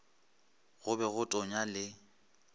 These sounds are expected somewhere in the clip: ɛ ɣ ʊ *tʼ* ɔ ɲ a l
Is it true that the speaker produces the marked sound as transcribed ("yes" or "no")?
yes